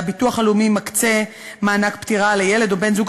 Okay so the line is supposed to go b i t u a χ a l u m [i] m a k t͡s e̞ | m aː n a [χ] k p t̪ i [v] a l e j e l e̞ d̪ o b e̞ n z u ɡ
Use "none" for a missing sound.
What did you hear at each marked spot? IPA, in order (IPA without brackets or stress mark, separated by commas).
i, none, ʁ